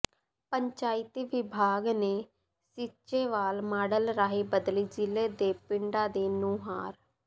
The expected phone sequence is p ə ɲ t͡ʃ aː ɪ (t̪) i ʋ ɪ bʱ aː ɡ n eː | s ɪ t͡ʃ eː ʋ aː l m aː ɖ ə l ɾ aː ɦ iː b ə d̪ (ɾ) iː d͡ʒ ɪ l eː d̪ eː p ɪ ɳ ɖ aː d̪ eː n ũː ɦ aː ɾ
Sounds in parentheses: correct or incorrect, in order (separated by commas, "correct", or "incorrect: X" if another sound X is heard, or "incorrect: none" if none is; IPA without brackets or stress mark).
correct, incorrect: l